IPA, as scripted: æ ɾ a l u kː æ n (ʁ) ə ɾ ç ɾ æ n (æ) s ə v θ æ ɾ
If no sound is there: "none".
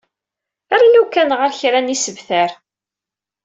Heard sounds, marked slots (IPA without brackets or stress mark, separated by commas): ʁ, i